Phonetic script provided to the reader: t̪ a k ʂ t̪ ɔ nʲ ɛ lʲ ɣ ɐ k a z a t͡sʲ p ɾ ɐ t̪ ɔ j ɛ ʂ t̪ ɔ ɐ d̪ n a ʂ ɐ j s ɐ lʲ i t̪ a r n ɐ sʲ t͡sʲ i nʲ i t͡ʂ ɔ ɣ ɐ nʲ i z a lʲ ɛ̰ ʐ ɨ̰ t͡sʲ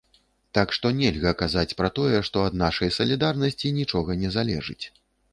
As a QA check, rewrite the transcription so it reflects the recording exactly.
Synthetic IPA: t̪ a k ʂ t̪ ɔ nʲ ɛ lʲ ɣ ɐ k a z a t͡sʲ p ɾ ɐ t̪ ɔ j ɛ ʂ t̪ ɔ ɐ d̪ n a ʂ ɐ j s ɐ lʲ i d̪ a r n ɐ sʲ t͡sʲ i nʲ i t͡ʂ ɔ ɣ ɐ nʲ ɛ z a lʲ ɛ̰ ʐ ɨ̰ t͡sʲ